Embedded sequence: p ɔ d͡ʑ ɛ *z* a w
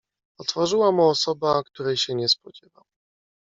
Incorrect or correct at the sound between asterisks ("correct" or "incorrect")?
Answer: incorrect